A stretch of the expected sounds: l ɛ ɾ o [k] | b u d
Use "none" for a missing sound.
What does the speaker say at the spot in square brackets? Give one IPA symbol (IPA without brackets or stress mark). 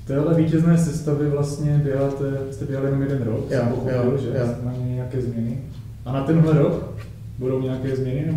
k